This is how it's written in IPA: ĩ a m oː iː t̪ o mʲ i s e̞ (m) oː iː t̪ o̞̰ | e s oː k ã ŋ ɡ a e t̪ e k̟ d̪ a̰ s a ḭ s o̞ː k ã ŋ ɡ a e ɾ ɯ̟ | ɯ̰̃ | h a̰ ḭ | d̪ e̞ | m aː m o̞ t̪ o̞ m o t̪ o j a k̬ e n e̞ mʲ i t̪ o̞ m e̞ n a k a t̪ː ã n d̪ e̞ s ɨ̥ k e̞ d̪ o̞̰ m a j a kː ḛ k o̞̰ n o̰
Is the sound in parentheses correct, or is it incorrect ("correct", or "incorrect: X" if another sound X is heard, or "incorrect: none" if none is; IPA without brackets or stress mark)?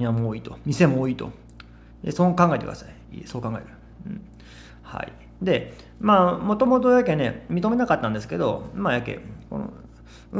correct